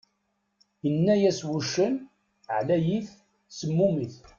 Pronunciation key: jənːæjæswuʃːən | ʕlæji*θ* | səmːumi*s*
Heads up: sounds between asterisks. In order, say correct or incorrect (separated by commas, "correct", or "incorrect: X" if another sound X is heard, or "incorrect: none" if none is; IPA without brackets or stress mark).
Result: correct, incorrect: θ